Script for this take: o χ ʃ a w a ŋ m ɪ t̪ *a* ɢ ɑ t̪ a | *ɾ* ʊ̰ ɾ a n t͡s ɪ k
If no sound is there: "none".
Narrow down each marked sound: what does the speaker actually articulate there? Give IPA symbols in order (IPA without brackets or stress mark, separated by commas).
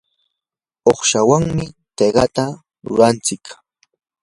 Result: e, ɾ